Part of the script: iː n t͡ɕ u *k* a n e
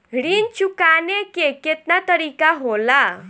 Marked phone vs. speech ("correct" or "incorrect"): correct